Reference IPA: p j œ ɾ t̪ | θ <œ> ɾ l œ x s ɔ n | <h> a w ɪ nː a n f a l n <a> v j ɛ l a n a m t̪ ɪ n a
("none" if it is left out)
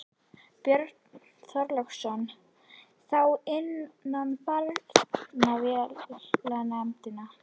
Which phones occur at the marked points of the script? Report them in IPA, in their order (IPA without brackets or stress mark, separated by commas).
œ, θ, a